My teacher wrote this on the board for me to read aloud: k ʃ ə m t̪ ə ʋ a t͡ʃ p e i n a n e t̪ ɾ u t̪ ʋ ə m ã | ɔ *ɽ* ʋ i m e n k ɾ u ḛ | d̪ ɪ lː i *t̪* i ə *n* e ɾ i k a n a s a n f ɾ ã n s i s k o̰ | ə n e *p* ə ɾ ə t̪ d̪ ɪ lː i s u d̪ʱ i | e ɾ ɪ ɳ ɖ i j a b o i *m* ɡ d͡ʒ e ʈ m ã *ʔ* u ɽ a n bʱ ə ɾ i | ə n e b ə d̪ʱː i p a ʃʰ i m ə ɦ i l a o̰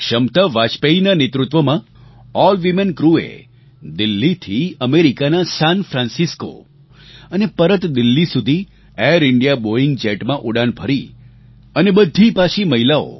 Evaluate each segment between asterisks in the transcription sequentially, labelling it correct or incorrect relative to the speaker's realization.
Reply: incorrect, incorrect, incorrect, correct, incorrect, correct

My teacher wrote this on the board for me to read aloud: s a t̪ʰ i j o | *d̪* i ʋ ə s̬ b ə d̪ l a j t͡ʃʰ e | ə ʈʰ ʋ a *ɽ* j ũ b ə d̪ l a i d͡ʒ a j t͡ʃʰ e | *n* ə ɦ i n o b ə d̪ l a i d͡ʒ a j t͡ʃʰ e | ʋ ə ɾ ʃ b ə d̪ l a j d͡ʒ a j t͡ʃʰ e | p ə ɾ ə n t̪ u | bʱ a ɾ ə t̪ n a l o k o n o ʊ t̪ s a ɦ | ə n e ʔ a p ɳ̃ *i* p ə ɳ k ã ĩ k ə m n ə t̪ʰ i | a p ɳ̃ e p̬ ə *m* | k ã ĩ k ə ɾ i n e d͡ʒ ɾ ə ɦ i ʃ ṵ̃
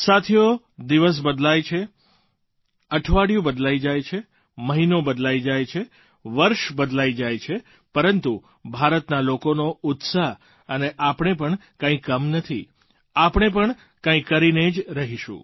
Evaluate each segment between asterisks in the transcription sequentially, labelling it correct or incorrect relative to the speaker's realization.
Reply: correct, correct, incorrect, incorrect, incorrect

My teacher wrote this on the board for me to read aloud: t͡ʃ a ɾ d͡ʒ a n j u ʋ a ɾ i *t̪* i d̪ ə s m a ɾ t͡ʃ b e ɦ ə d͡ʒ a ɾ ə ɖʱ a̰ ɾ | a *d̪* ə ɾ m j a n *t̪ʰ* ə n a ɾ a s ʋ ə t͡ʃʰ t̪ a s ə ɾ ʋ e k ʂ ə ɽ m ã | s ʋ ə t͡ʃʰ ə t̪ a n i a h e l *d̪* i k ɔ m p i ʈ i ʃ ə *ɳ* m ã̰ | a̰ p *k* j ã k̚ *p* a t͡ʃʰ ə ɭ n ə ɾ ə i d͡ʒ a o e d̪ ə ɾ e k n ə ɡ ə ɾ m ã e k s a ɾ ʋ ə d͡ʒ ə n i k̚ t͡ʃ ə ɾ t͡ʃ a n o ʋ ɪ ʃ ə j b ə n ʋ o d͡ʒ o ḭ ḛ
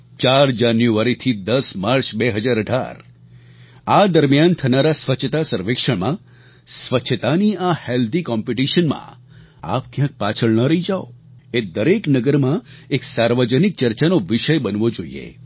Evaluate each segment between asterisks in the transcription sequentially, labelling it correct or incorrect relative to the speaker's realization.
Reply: incorrect, correct, correct, correct, incorrect, correct, correct

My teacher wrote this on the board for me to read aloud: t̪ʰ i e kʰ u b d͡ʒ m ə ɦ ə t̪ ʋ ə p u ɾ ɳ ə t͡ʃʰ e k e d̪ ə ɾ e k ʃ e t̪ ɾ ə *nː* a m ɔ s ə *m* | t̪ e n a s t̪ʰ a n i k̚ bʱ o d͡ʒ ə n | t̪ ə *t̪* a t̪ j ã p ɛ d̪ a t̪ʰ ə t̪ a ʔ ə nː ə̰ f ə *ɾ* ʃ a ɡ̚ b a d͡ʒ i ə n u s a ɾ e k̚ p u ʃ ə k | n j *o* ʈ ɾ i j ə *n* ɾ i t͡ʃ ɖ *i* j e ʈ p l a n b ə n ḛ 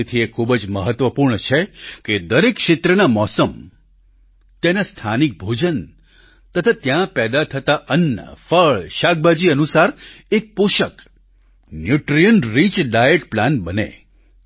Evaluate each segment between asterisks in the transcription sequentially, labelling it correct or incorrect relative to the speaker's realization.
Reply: incorrect, correct, incorrect, incorrect, incorrect, correct, incorrect

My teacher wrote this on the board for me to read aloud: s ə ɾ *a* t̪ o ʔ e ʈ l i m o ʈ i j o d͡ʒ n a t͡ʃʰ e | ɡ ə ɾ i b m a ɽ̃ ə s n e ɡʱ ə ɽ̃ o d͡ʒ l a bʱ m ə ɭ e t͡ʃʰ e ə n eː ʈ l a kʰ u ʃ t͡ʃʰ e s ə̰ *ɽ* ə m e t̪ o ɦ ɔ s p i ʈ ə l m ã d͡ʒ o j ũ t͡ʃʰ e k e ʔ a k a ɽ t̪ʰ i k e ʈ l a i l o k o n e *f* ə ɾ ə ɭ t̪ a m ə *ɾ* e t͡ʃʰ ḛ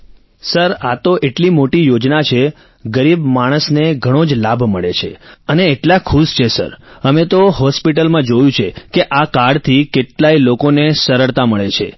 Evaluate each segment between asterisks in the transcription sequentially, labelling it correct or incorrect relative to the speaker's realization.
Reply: correct, incorrect, incorrect, incorrect

